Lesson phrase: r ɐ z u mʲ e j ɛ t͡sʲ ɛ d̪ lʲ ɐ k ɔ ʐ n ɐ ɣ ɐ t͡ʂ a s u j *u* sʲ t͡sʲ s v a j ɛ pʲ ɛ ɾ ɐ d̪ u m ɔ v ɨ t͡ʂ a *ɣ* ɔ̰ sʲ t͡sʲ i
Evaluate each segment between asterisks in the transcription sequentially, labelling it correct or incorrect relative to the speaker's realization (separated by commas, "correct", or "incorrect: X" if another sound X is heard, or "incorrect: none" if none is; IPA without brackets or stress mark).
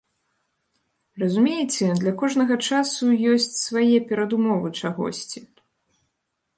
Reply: incorrect: ɔ, correct